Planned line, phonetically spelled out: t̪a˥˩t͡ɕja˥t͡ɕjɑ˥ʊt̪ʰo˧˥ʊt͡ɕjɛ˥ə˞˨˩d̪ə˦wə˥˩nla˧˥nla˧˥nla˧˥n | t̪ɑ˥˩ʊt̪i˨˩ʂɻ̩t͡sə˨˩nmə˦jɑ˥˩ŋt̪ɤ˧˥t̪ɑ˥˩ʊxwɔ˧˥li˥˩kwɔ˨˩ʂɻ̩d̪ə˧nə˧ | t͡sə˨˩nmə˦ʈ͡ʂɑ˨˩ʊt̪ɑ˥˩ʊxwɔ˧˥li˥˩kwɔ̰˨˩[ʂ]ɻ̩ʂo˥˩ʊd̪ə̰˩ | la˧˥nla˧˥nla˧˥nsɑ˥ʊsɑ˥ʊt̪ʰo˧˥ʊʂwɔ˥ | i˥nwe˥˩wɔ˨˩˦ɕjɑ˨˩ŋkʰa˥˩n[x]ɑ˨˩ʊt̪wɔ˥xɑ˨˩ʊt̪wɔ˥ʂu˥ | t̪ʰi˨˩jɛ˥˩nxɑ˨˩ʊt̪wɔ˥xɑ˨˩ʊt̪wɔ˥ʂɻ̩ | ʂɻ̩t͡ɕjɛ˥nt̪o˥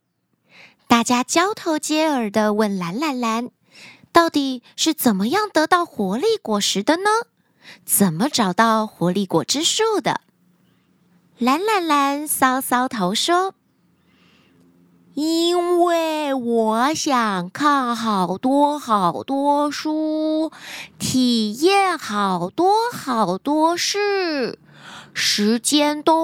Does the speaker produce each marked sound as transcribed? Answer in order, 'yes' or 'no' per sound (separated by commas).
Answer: no, yes